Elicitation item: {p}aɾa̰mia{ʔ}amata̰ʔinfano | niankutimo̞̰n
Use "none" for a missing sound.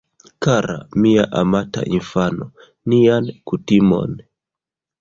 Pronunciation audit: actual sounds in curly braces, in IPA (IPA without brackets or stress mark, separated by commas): k, ʔ